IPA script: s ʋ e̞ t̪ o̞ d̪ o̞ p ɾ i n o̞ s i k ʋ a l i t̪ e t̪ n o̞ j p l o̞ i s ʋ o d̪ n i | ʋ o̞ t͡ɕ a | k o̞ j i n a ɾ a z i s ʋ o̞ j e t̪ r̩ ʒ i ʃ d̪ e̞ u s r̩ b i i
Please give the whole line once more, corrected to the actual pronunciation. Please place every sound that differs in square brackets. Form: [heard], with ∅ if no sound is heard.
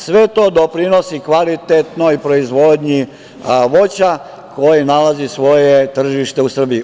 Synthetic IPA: s ʋ e̞ t̪ o̞ d̪ o̞ p ɾ i n o̞ s i k ʋ a l i t̪ e t̪ n o̞ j p [ɾ] o̞ i [z] ʋ o d̪ [ɲ] i | ʋ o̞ t͡ɕ a | k o̞ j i n a [l] a z i s ʋ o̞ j e t̪ r̩ ʒ i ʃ [t̪] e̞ u s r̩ b i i